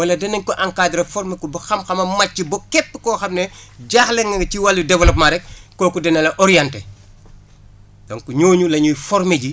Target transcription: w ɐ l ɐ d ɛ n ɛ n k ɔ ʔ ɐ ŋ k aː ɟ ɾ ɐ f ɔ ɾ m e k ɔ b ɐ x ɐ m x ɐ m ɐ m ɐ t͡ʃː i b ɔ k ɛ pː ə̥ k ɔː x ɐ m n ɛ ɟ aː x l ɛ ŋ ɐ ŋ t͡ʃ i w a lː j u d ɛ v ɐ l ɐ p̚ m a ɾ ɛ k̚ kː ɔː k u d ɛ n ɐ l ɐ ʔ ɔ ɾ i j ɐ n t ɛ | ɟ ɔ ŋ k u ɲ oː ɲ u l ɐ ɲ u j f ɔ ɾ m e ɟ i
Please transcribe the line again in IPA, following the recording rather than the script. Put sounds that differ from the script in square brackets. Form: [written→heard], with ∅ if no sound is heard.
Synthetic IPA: w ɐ l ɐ d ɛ n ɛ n k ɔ ʔ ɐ ŋ k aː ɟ ɾ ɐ f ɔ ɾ m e k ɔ b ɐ x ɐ m x ɐ m ɐ m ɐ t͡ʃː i b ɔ k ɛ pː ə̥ k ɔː x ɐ m n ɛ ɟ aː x l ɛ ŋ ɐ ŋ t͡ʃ i w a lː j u d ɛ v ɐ l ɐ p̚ m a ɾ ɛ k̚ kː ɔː k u d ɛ n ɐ l ɐ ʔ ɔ ɾ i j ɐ n t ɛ | [ɟ→d] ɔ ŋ k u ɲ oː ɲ u l ɐ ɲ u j f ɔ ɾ m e ɟ i